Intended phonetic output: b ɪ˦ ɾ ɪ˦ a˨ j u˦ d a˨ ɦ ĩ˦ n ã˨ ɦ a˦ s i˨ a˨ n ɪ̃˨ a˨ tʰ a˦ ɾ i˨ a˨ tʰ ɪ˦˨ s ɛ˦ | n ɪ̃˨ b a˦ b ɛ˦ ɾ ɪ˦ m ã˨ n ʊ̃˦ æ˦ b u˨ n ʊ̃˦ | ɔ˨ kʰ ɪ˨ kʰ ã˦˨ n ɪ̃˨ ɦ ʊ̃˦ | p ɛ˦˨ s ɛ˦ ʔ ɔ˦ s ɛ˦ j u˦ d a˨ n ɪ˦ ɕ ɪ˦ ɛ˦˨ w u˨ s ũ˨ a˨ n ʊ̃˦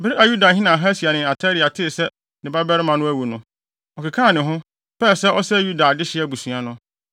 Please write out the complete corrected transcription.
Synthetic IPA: b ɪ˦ ɾ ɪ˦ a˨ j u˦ d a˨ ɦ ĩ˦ n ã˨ ɦ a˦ s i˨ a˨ n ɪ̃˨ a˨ tʰ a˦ ɾ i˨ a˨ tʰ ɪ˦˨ s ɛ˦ | n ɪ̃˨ b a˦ b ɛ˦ ɾ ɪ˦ m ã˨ n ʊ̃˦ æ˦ w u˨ n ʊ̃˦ | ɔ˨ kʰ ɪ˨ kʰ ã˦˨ n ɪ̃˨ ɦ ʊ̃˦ | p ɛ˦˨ s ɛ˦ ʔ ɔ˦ s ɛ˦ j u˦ d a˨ d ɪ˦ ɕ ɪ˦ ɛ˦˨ b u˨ s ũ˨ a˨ n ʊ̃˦